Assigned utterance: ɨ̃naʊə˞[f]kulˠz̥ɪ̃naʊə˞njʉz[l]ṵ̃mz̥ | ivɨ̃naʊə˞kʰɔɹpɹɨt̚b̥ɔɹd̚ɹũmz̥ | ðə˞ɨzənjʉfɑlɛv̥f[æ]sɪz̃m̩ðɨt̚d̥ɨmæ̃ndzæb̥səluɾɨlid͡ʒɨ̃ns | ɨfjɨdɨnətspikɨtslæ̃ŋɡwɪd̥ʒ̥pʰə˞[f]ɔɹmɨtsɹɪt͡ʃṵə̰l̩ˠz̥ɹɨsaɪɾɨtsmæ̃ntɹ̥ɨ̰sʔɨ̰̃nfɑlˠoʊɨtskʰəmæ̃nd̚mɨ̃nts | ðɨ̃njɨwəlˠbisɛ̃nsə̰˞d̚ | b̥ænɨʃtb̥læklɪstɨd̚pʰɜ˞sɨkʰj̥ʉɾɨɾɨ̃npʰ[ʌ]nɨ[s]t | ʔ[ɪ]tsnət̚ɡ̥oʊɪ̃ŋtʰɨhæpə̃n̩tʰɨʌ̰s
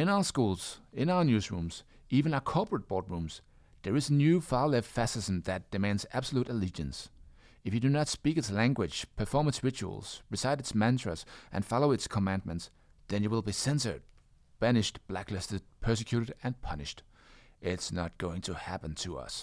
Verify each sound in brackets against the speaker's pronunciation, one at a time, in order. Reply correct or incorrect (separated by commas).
incorrect, incorrect, correct, correct, correct, incorrect, correct